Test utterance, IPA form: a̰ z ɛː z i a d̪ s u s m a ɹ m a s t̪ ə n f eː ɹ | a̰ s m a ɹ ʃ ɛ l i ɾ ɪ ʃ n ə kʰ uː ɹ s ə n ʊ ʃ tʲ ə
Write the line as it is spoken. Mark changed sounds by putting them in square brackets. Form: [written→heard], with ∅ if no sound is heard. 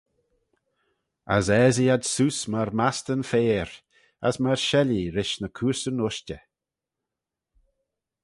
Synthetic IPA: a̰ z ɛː z i a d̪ s u s m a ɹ m a s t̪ ə n f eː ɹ | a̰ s m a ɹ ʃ ɛ l i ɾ ɪ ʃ n ə kʰ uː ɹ s ə n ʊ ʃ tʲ ə